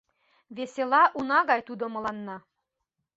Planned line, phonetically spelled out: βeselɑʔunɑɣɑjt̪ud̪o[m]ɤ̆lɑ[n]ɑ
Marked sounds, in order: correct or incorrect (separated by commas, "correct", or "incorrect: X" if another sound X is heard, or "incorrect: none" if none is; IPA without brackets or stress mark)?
correct, incorrect: nː